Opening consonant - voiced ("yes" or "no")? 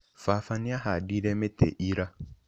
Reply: no